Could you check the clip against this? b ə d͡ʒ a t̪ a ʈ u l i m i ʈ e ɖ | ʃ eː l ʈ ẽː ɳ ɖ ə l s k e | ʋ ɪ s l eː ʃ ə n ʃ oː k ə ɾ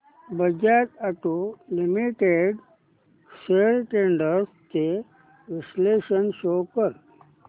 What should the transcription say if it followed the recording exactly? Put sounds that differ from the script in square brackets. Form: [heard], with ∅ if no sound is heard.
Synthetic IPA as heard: b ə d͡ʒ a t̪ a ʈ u l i m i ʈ e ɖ | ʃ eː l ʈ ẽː ɳ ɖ ə [ɾ] s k e | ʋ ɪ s l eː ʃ ə n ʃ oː k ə ɾ